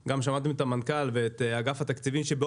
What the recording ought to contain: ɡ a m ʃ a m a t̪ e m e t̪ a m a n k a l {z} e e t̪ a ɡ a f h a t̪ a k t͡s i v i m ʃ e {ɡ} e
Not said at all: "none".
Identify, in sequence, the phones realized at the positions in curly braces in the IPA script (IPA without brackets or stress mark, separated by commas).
v, b